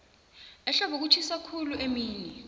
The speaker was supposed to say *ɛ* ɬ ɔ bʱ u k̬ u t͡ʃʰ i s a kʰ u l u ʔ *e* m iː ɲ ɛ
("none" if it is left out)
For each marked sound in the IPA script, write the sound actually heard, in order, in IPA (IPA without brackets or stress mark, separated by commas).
ɛ, e